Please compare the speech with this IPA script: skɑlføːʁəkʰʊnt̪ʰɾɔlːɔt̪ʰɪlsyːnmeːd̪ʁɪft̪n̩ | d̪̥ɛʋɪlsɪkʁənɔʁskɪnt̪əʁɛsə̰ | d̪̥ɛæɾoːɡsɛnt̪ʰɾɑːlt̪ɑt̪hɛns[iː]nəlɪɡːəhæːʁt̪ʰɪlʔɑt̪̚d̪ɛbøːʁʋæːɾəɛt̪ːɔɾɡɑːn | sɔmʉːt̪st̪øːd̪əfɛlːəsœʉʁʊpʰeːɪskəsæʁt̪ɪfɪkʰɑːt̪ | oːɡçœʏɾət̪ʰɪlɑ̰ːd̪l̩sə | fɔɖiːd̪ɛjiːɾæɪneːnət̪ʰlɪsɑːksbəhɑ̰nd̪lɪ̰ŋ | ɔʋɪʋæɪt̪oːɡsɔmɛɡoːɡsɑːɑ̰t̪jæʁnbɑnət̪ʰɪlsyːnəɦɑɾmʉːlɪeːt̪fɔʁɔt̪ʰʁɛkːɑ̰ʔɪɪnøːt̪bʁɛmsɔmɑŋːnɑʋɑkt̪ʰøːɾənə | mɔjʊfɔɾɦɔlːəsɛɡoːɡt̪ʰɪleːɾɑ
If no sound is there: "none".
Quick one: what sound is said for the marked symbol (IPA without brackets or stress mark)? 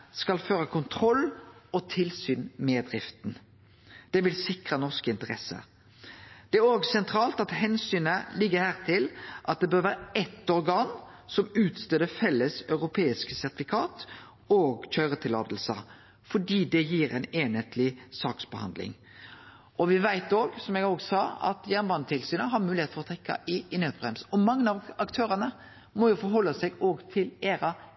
yː